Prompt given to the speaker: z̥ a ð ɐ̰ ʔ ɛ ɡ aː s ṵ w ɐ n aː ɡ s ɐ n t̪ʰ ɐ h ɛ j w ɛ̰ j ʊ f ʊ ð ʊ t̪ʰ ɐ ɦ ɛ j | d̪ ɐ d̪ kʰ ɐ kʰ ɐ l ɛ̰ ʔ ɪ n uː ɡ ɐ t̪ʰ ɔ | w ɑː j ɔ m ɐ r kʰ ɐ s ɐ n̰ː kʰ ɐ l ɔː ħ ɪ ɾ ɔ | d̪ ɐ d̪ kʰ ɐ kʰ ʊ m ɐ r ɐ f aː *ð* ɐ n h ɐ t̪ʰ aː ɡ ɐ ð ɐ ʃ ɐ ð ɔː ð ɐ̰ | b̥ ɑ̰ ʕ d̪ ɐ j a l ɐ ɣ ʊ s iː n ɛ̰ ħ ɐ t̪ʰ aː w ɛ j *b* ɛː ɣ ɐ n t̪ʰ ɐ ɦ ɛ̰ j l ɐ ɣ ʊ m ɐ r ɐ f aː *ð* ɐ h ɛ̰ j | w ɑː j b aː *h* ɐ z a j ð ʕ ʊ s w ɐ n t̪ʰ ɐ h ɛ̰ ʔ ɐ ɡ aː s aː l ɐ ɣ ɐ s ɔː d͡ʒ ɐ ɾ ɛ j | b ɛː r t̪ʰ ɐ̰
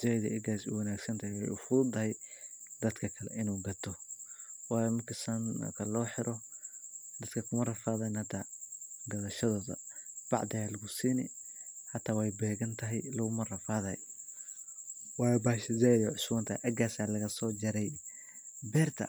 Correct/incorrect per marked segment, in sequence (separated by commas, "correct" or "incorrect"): correct, correct, correct, incorrect